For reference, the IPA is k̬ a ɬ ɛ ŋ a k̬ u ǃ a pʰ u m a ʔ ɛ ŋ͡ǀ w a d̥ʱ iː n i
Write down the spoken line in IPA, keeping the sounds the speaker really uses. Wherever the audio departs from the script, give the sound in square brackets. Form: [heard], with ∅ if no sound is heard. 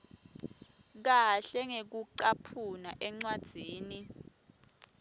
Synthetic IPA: k̬ a ɬ ɛ ŋ [e] k̬ u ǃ a pʰ u [n] a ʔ ɛ ŋ͡ǀ w a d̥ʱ iː n i